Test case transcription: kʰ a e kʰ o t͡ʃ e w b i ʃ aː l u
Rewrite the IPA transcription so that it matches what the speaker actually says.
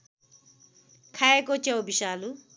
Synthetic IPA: kʰ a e k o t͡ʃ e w b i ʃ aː l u